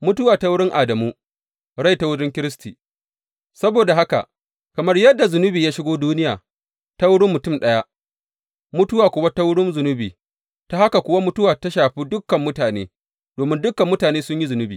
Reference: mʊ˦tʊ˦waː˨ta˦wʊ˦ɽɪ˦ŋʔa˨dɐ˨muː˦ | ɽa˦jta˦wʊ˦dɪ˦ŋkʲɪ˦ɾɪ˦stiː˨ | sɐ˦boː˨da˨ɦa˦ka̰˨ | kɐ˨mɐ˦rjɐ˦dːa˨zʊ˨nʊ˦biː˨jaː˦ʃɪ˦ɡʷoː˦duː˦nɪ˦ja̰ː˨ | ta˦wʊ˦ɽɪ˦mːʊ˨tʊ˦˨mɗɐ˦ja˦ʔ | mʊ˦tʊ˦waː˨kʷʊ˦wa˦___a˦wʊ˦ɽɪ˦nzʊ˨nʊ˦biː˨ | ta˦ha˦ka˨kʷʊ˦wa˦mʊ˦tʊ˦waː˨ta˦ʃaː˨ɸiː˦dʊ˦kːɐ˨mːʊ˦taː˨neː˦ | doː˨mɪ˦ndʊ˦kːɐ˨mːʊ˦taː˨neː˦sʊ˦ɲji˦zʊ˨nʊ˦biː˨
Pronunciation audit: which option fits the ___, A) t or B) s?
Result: A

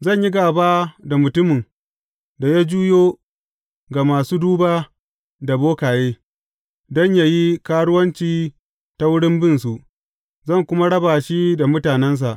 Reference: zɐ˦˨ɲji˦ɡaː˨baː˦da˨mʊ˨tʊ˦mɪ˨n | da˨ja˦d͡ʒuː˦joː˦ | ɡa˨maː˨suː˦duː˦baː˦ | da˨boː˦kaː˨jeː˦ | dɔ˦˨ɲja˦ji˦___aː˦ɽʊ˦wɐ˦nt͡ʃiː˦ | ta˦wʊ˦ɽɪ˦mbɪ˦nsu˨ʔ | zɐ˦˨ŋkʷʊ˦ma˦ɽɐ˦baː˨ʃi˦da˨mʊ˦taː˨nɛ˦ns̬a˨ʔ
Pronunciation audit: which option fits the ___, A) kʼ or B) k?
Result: B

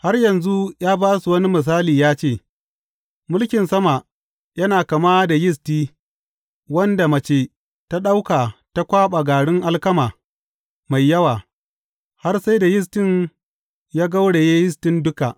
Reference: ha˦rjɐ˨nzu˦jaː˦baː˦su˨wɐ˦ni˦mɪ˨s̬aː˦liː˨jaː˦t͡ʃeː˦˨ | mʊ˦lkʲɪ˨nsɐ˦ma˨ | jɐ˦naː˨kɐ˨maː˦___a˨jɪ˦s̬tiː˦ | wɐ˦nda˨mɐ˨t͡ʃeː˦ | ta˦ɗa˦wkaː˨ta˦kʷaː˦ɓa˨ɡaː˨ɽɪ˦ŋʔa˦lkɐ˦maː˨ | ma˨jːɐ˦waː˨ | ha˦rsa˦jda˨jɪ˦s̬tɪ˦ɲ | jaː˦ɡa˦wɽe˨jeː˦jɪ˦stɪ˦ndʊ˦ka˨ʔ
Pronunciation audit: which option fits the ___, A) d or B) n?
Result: A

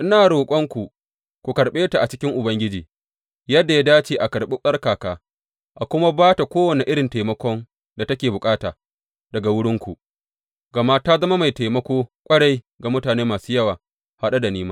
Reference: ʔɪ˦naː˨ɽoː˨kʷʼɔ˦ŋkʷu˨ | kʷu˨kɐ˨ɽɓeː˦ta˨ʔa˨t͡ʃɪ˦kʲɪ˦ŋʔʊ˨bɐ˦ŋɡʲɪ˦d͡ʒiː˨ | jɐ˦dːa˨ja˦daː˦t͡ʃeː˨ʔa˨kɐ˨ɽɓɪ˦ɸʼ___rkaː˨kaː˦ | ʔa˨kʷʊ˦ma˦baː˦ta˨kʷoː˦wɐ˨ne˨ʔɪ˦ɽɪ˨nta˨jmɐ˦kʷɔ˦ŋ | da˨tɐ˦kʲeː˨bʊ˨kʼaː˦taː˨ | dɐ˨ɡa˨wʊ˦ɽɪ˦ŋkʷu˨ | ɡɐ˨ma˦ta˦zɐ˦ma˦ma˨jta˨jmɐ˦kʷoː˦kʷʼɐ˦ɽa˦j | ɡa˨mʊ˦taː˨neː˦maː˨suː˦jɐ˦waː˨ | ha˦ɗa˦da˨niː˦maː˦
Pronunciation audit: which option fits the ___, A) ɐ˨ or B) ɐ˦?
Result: B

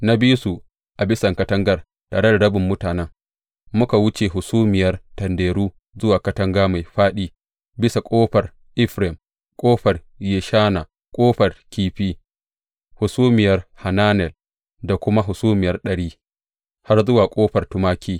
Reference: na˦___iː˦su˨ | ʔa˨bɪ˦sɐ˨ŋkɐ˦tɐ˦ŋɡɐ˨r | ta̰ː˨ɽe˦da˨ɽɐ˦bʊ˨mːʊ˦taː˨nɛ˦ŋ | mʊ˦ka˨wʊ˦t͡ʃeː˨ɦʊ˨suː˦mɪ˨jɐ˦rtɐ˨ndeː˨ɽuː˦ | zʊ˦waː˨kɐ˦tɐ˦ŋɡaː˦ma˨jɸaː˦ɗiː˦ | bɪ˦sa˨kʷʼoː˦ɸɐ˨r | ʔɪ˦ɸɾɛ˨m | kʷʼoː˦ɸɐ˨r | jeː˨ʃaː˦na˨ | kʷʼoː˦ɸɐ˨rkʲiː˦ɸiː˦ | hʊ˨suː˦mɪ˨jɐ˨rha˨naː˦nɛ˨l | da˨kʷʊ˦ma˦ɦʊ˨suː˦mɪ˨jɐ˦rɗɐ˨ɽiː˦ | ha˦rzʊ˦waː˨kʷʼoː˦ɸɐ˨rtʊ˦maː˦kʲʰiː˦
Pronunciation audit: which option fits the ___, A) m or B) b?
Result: B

